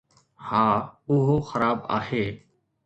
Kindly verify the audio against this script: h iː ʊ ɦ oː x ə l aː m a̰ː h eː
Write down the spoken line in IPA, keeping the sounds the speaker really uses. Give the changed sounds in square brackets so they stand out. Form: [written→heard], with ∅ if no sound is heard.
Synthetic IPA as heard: h [iː→aː] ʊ ɦ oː x ə [l→ɾ] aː [m→b] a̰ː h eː